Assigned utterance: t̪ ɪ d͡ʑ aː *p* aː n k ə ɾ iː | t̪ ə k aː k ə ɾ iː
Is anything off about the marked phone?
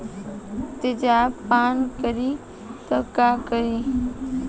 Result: no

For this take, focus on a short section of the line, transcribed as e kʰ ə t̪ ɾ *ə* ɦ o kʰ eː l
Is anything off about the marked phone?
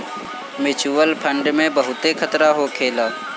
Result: yes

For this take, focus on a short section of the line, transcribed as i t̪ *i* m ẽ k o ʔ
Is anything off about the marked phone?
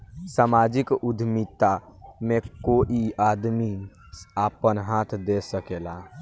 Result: yes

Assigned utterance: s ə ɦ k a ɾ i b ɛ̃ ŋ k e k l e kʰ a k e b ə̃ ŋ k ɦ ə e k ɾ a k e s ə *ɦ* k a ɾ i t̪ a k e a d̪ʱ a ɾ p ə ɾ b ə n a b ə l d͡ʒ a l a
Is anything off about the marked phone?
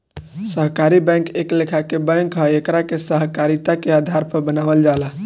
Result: no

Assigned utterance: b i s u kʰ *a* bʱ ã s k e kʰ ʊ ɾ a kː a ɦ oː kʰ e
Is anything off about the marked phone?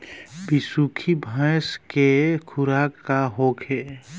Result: yes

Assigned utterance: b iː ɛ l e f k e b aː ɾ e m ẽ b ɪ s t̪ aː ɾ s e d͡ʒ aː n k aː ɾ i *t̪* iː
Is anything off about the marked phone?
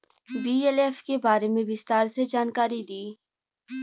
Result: yes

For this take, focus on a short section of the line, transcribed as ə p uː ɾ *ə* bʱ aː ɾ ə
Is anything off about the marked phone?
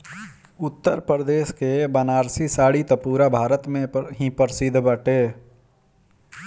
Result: yes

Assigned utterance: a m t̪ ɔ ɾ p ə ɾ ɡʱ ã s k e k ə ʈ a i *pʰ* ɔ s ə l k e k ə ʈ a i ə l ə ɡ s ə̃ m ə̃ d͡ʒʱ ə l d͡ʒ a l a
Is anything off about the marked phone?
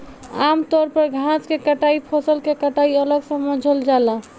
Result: no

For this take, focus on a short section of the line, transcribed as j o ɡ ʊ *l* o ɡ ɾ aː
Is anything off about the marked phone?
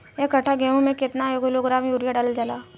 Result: no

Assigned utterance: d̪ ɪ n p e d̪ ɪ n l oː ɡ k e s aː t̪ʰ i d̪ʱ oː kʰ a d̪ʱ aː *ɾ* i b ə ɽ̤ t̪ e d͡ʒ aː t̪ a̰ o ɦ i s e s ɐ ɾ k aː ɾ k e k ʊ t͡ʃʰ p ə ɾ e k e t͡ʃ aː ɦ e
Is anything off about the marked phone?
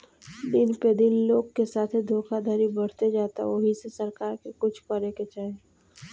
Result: no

